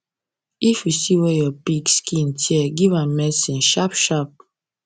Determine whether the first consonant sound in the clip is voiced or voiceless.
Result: voiceless